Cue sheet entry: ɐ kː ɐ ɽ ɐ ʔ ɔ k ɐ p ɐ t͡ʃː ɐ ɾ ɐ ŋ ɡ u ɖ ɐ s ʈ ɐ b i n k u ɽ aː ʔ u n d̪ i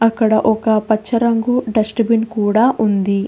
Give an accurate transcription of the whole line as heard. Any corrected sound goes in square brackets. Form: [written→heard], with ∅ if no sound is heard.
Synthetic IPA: ɐ kː ɐ ɽ ɐ ʔ ɔ k ɐ p ɐ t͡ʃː ɐ ɾ ɐ ŋ ɡ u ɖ ɐ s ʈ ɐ b i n k [u→uː] ɽ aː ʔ u n d̪ i